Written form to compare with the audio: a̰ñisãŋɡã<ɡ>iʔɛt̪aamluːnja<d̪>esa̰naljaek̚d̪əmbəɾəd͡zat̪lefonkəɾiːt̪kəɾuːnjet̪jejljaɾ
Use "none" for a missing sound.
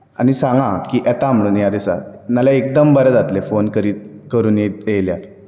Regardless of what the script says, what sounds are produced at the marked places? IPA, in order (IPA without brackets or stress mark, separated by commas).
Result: k, d̪